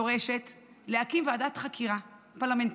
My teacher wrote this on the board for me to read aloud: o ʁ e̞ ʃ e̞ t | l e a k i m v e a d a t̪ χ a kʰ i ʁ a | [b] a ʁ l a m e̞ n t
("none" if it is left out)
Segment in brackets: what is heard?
p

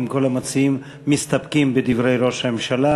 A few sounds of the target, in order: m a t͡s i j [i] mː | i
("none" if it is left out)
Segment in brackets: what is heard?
i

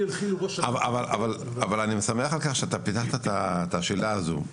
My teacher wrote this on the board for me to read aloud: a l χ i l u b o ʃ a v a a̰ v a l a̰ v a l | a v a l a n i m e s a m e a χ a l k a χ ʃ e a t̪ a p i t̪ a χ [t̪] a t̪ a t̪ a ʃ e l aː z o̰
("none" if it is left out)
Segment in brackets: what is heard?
t̪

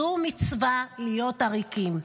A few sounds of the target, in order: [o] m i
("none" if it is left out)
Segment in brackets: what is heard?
u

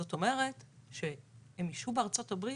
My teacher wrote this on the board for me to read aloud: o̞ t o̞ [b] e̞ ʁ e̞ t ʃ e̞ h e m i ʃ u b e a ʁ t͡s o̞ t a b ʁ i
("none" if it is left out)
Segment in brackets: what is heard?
m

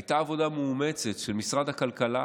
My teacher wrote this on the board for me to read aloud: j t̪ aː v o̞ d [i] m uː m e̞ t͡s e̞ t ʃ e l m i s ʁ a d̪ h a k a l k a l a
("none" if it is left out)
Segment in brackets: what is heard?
a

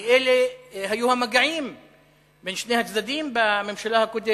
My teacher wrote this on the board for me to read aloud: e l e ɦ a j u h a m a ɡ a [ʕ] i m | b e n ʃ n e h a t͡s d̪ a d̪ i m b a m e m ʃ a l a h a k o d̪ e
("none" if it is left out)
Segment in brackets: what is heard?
ʕ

